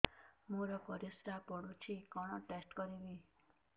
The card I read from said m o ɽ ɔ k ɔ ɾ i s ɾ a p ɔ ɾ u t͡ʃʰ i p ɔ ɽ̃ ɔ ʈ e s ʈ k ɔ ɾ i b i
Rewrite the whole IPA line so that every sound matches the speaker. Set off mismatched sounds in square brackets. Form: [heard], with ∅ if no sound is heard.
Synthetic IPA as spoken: m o [ɾ] ɔ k ɔ ɾ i s ɾ a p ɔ [ɽ] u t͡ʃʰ i [k] ɔ ɽ̃ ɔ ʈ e s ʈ k ɔ ɾ i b i